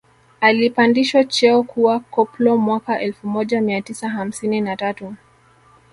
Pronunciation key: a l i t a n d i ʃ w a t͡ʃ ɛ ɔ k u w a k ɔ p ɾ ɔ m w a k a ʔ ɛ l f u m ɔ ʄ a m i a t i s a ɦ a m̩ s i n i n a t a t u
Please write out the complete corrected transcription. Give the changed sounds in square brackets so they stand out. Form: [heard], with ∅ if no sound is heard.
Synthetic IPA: a l i [p] a n d i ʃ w a t͡ʃ ɛ ɔ k u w a k ɔ p [l] ɔ m w a k a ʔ ɛ l f u m ɔ ʄ a m i a t i s a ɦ a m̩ s i n i n a t a t u

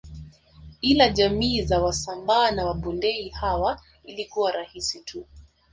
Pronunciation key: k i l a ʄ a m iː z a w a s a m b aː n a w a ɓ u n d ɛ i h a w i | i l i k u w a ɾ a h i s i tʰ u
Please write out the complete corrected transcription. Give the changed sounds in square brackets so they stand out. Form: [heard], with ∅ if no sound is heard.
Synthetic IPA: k i l a ʄ a m iː z a w a s a m b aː n a w a ɓ u n d ɛ i h a w [a] | i l i k u w a ɾ a h i s i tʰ u

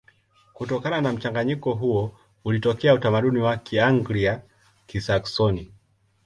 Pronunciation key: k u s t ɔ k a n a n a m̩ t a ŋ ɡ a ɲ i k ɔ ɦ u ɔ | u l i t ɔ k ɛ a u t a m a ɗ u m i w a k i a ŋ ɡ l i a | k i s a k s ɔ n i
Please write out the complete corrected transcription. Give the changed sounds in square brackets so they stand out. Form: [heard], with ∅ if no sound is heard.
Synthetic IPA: k u [∅] t ɔ k a n a n a m̩ [t͡ʃ] a ŋ ɡ a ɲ i k ɔ ɦ u ɔ | u l i t ɔ k ɛ a u t a m a ɗ u [n] i w a k i a ŋ ɡ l i a | k i s a k s ɔ n i

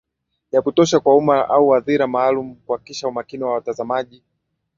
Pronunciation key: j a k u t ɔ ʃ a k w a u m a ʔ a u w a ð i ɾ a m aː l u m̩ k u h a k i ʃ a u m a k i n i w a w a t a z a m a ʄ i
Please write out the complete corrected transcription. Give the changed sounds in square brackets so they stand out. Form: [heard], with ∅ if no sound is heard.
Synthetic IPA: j a k u t ɔ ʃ a k w a u m a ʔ a u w a ð i ɾ a m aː l u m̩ k u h a k i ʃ a u m a k i n i w a w a t a z a m a ʄ i

